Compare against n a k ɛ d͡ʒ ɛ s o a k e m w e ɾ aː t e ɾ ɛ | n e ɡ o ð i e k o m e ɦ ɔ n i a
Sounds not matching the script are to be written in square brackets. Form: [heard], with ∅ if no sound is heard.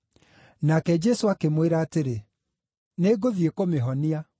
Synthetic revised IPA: n a k ɛ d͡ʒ ɛ s o a k e m w e ɾ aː t e ɾ [e] | n e ɡ o ð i e k o m e ɦ ɔ n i a